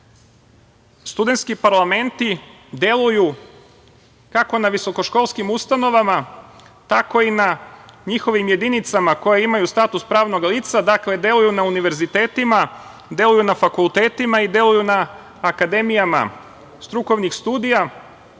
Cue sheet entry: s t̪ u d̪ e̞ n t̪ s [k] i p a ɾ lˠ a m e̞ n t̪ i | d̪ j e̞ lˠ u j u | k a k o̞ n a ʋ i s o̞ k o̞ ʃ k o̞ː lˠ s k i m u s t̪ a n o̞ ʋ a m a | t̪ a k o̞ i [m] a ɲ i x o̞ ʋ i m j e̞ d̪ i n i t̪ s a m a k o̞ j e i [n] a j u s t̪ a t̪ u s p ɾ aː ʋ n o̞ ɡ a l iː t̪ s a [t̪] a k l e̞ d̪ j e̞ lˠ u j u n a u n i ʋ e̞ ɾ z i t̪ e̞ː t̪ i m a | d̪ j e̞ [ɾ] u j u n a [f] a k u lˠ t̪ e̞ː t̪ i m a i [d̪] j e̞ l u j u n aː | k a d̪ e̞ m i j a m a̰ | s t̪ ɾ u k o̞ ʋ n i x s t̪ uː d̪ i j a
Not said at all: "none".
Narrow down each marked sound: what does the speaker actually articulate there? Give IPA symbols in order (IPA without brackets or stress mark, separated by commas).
k, n, m, d̪, l, f, d̪